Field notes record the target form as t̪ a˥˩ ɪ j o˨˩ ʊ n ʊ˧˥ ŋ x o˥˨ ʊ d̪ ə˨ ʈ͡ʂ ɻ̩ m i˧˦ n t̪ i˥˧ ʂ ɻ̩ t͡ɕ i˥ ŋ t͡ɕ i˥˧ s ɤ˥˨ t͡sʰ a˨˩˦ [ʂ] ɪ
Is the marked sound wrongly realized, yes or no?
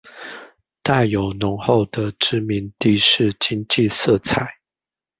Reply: yes